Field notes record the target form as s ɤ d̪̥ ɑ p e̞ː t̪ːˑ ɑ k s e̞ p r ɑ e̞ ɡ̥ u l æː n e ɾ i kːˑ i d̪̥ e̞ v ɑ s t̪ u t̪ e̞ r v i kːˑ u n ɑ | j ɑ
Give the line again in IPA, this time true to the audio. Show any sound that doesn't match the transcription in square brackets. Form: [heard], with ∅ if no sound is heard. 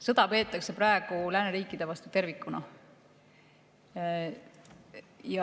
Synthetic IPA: s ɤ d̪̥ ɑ p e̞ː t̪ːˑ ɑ k s e̞ p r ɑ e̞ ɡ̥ u l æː n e ɾ [iː] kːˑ i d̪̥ e̞ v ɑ s t̪ u t̪ e̞ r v i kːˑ u n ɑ | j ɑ